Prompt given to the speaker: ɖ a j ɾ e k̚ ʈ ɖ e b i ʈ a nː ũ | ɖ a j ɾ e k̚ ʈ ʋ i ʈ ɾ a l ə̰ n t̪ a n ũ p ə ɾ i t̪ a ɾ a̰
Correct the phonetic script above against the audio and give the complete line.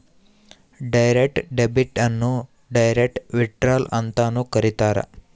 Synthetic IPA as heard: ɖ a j ɾ e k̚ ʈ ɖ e b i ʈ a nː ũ | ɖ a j ɾ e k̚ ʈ ʋ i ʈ ɾ a l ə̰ n t̪ a n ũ k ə ɾ i t̪ a ɾ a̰